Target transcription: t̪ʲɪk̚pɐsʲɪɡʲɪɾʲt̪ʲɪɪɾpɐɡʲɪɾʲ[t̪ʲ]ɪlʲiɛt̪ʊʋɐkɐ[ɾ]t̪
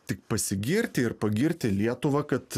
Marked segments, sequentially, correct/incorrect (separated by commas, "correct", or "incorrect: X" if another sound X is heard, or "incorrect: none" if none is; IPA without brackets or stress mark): correct, incorrect: none